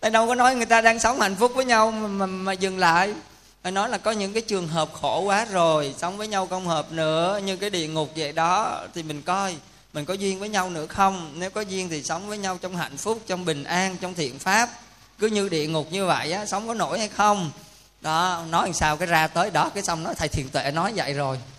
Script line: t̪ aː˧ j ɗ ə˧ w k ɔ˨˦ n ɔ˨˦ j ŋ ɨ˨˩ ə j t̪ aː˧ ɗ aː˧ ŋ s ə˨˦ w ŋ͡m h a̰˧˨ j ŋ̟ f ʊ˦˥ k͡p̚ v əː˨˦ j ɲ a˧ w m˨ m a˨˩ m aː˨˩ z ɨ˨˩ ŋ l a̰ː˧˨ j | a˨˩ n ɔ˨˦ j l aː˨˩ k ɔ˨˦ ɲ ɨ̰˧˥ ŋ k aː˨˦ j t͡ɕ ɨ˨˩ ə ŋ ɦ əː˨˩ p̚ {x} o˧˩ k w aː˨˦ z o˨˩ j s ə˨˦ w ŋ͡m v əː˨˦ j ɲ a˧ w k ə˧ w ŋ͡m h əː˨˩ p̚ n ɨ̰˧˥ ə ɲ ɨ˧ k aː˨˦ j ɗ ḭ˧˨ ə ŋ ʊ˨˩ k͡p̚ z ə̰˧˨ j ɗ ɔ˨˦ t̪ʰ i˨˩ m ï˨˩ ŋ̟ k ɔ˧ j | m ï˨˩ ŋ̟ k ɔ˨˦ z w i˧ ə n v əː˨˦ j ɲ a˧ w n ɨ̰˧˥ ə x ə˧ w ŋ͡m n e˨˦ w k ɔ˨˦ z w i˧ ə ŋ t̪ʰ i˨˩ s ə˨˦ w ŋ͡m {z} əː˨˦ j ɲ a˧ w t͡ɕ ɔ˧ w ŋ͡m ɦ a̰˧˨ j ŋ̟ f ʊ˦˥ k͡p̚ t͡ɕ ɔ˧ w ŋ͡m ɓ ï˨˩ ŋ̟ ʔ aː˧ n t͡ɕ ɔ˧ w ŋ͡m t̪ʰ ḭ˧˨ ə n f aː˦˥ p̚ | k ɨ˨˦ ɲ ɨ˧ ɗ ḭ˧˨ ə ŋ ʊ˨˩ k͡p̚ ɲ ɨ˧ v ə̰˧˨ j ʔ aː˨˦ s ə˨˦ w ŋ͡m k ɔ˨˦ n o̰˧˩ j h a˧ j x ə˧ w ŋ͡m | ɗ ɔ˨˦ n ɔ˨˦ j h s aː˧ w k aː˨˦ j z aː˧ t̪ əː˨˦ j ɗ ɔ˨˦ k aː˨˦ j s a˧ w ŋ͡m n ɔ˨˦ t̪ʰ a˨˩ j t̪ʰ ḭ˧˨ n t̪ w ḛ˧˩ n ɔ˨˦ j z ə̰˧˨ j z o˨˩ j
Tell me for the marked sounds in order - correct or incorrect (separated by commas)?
correct, incorrect